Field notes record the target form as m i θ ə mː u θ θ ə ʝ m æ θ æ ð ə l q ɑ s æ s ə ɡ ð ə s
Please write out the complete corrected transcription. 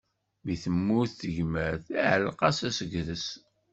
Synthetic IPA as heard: m i θ ə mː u θ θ ə ʝ m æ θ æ ʕ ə l q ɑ s æ s ə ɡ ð ə s